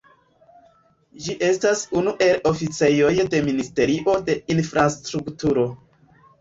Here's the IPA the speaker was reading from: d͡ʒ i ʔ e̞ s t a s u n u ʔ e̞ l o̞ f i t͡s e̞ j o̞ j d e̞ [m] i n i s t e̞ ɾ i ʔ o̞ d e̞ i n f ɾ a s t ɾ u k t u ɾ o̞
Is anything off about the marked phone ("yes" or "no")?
no